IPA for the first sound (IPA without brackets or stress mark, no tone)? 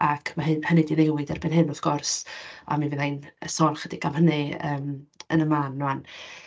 a